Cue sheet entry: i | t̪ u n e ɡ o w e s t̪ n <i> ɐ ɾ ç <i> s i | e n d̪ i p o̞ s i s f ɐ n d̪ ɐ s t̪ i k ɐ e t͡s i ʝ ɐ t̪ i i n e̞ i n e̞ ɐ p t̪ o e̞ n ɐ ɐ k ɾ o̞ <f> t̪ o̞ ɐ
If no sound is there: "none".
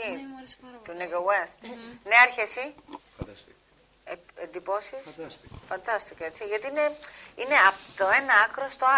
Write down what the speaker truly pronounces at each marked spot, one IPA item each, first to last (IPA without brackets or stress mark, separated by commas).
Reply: e, e, s